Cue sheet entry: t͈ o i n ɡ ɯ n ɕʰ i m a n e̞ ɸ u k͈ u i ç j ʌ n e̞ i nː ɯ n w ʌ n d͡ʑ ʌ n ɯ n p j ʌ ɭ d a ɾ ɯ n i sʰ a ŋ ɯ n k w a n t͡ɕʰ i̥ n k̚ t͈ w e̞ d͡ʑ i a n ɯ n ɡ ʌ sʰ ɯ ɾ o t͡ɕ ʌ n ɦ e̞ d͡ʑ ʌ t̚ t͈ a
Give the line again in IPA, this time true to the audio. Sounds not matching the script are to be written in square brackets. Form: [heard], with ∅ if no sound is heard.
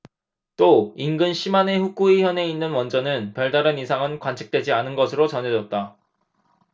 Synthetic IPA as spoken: t͈ o i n ɡ ɯ n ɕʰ i m a n e̞ ɸ u k͈ u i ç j ʌ n e̞ i nː ɯ n w ʌ n d͡ʑ ʌ n ɯ n p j ʌ ɭ d a ɾ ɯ n i sʰ a ŋ ɯ n k w a n t͡ɕʰ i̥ [∅] k̚ t͈ w e̞ d͡ʑ i a n ɯ n ɡ ʌ sʰ ɯ ɾ o t͡ɕ ʌ n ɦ e̞ d͡ʑ ʌ t̚ t͈ a